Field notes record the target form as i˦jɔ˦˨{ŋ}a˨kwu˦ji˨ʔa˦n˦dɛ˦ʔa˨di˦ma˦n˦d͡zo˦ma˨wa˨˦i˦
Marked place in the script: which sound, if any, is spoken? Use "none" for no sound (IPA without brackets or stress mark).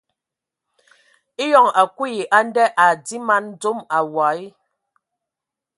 ŋ